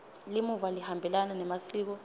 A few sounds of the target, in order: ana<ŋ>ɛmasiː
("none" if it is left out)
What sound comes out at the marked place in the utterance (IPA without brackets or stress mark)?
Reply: n